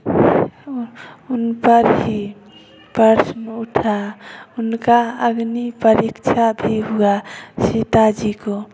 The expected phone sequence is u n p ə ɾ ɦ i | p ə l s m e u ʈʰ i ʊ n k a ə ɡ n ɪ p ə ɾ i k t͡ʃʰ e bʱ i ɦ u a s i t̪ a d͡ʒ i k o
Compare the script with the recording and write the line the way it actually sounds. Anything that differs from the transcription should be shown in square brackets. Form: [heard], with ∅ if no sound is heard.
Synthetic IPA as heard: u n p ə ɾ ɦ i | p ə [ɾ] s m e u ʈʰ [a] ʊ n k a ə ɡ n [i] p ə ɾ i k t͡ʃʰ [a] bʱ i ɦ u a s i t̪ a d͡ʒ i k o